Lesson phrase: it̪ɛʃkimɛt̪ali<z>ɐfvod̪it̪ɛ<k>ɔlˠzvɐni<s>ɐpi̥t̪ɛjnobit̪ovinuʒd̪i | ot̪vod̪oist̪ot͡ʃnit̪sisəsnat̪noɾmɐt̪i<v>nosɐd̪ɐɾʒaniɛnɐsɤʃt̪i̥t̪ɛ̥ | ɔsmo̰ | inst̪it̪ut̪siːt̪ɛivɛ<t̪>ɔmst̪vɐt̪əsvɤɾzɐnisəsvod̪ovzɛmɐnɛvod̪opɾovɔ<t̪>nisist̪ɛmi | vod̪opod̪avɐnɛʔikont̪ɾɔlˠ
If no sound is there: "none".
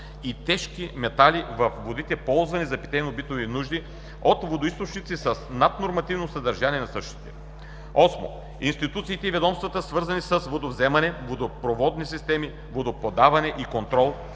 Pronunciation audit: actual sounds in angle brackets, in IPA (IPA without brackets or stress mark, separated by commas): v, p, z, v, d̪, d̪